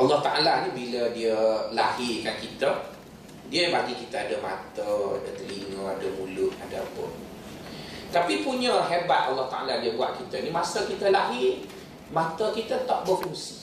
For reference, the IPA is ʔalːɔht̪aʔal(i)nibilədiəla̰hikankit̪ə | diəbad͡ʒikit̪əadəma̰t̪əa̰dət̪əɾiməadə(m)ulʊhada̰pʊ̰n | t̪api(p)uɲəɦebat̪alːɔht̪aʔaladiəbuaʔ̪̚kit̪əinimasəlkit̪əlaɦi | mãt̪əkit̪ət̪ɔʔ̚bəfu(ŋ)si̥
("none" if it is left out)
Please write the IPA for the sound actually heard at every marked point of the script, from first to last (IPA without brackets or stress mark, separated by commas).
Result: a, m, p, ŋ